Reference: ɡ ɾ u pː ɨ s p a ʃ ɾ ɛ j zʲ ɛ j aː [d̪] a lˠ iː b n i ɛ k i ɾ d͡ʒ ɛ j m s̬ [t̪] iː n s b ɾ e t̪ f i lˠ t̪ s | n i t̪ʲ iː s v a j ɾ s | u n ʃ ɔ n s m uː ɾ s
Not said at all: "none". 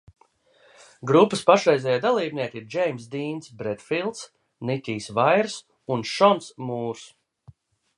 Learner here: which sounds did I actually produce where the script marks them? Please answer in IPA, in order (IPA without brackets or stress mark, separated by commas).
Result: d̪, d̪